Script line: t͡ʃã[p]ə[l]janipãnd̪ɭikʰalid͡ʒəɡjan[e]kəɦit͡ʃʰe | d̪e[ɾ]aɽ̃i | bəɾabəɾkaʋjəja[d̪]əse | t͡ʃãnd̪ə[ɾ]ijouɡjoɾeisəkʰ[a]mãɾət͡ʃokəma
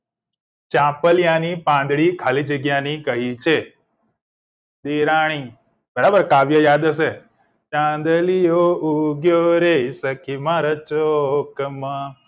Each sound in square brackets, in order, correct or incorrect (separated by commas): correct, correct, incorrect, correct, correct, incorrect, incorrect